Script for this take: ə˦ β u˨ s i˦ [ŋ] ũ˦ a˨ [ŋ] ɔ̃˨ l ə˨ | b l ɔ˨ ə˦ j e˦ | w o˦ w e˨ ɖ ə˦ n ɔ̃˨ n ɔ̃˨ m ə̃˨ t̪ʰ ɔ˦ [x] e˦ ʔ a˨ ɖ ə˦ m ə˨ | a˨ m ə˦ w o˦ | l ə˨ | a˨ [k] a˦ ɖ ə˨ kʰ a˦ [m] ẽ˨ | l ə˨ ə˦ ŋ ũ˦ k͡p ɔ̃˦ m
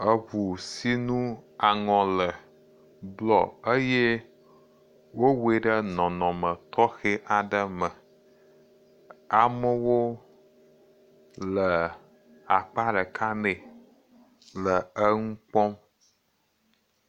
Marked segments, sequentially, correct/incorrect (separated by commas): incorrect, correct, correct, incorrect, incorrect